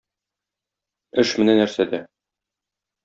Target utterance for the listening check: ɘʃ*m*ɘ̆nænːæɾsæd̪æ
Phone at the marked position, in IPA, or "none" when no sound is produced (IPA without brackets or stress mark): m